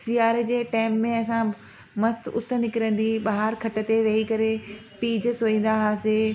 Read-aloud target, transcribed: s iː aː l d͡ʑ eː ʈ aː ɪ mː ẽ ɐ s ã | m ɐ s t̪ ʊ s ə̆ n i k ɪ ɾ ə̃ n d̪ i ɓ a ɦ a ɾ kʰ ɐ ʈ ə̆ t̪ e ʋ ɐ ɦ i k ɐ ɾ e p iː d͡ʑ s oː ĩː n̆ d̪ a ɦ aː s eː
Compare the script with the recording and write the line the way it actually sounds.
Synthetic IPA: s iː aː ɾ d͡ʑ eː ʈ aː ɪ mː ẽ ɐ s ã | m ɐ s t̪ ʊ s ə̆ n ɪ k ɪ ɾ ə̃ n d̪ i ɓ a ɦ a ɾ kʰ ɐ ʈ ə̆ t̪ e ʋ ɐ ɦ i k ɐ ɾ e p iː d͡ʑ s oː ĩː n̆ d̪ a ɦ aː s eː